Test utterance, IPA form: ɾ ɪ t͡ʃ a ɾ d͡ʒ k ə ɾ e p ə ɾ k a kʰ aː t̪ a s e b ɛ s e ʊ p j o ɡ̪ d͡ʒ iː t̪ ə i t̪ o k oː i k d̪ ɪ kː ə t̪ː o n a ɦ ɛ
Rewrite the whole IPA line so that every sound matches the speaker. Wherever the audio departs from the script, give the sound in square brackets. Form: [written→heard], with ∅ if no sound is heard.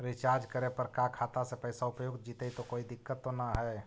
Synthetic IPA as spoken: ɾ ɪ t͡ʃ a ɾ d͡ʒ k ə ɾ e p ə ɾ k a kʰ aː t̪ a s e [b→p] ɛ s [e→a] ʊ p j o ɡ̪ d͡ʒ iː t̪ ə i t̪ o k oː i [k→∅] d̪ ɪ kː ə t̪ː o n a ɦ ɛ